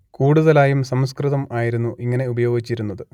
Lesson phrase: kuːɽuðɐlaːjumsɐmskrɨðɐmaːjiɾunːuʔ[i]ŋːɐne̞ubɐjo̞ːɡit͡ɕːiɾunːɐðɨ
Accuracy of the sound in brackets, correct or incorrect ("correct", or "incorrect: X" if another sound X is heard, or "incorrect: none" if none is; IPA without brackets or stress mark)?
correct